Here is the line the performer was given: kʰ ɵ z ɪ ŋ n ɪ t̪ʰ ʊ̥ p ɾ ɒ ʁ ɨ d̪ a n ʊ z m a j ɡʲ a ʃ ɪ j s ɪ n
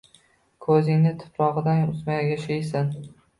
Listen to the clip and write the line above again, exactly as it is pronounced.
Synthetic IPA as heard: kʰ ɵ z ɪ ŋ n ɪ t̪ʰ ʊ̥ p ɾ ɒ ʁ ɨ d̪ a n ʊ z m a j ɡʲ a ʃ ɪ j s ɪ n